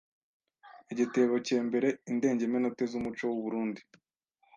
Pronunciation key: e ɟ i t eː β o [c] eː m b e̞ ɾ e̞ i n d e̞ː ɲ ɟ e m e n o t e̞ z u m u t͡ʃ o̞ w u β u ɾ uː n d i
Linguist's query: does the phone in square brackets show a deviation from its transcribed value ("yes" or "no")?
no